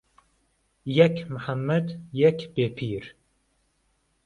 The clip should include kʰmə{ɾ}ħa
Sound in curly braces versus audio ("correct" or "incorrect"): incorrect